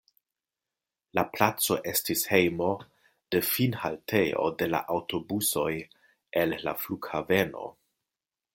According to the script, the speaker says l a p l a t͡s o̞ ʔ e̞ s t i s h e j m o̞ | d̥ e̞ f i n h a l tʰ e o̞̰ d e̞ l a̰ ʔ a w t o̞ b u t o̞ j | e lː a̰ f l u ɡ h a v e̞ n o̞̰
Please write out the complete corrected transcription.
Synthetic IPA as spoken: l a p l a t͡s o̞ ʔ e̞ s t i s h e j m o̞ | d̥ e̞ f i n h a l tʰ e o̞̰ d e̞ l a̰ ʔ a w t o̞ b u s o̞ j | e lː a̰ f l u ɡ h a v e̞ n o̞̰